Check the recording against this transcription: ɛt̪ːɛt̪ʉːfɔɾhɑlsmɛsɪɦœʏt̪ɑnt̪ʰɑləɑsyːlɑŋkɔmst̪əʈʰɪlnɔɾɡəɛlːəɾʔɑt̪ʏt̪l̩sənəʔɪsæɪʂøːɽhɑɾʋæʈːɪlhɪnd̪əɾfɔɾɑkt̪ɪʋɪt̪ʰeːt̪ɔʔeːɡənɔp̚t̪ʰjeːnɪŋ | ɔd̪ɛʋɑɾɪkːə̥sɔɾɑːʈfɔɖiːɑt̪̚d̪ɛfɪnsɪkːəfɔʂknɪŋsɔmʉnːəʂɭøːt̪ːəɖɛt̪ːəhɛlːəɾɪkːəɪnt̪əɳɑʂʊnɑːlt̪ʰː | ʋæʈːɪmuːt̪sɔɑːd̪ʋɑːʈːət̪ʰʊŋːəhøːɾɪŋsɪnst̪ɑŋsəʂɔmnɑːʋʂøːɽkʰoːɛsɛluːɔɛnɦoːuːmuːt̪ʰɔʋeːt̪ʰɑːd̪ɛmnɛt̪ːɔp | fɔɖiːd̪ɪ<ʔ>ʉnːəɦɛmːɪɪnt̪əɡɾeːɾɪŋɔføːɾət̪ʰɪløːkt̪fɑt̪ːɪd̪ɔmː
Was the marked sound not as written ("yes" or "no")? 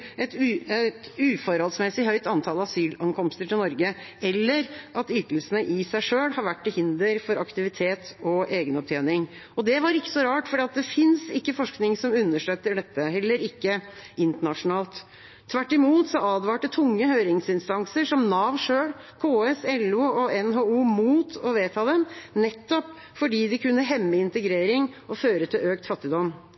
yes